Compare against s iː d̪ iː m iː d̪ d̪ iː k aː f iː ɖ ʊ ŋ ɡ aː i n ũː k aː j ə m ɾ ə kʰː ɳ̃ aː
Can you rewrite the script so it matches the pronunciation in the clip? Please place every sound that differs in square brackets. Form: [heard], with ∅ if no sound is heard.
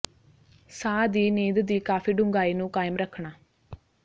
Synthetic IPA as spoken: s [aː] d̪ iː [n] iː d̪ d̪ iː k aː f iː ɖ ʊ ŋ ɡ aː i n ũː k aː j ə m ɾ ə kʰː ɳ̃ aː